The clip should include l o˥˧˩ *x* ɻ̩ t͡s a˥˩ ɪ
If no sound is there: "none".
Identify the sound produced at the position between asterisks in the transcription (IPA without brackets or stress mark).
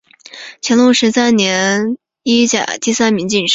ʂ